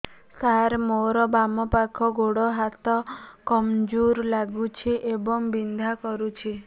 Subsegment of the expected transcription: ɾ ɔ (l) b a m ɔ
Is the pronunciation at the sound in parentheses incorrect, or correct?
incorrect